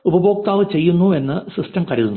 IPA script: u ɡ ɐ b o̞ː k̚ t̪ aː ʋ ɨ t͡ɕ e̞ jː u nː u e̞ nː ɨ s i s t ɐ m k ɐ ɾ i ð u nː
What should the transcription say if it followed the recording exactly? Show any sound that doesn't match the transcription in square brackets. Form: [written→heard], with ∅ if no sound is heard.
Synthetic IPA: u [ɡ→b] ɐ b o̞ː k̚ t̪ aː ʋ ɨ t͡ɕ e̞ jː u nː u e̞ nː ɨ s i s t ɐ m k ɐ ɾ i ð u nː

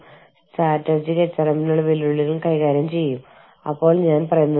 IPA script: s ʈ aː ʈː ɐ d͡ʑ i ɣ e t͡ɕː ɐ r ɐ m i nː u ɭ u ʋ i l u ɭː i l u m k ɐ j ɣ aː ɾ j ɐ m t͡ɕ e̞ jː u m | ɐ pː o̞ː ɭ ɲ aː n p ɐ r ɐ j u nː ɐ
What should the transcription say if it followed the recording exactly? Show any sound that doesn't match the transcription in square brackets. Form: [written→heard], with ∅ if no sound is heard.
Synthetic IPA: s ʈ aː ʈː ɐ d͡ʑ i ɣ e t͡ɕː ɐ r ɐ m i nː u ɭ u ʋ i l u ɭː i l u m k ɐ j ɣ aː ɾ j ɐ m t͡ɕ e̞ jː u m | ɐ pː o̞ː ɭ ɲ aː n p ɐ r ɐ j u nː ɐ

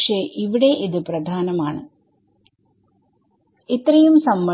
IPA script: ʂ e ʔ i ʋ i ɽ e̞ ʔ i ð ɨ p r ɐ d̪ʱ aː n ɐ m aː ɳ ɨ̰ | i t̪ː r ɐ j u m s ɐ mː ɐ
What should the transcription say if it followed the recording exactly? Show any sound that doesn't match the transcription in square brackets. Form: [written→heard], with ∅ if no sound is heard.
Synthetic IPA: ʂ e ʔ i ʋ i ɽ e̞ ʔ i ð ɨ p r ɐ d̪ʱ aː n ɐ m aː ɳ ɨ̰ | i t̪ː r ɐ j u m s ɐ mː ɐ

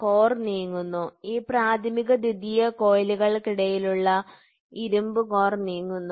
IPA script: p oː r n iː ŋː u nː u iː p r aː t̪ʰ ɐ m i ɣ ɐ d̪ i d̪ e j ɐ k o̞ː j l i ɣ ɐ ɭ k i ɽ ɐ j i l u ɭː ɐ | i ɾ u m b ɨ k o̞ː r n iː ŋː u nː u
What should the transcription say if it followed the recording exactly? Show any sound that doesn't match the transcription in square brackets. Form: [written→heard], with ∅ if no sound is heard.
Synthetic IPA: [p→k] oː r n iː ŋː u nː u iː p r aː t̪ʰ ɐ m i ɣ ɐ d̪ i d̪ [e→i] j ɐ k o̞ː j l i ɣ ɐ ɭ k i ɽ ɐ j i l u ɭː ɐ | i ɾ u m b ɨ k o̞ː r n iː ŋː u nː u

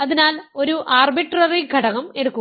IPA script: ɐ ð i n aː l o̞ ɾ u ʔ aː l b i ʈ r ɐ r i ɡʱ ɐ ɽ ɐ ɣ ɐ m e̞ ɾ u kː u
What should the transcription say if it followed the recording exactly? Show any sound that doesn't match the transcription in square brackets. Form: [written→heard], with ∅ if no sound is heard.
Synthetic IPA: ɐ ð i n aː l o̞ ɾ u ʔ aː [l→r] b i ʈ r ɐ r i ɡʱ ɐ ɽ ɐ ɣ ɐ m e̞ [ɾ→ɽ] u kː u

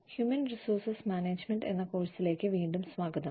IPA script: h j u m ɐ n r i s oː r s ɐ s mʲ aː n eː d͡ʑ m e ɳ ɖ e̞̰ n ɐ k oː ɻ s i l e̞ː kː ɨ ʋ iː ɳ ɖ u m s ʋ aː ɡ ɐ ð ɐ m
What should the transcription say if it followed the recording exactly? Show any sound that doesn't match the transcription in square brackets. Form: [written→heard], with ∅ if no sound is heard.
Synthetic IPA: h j u m ɐ n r i s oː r s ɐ s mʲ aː n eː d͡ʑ m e ɳ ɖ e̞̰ [n→nː] ɐ k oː ɻ s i l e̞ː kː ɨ ʋ iː ɳ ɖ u m s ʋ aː ɡ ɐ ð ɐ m

